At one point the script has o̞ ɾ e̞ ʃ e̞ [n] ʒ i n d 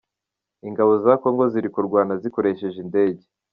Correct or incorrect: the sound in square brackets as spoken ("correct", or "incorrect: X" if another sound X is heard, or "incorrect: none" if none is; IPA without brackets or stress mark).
incorrect: none